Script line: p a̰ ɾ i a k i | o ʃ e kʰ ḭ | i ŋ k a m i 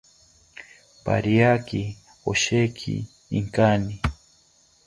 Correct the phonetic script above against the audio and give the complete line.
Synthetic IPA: p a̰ ɾ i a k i | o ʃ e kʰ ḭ | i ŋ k a n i